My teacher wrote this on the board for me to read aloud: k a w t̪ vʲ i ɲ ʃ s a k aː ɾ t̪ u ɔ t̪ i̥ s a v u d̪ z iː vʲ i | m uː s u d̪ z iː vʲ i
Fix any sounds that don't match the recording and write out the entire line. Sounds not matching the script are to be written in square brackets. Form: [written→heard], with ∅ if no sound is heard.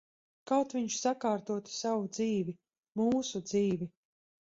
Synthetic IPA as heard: k a w t̪ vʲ i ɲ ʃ s a k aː ɾ t̪ u ɔ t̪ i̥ s a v u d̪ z iː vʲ i | m uː s u d̪ z iː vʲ i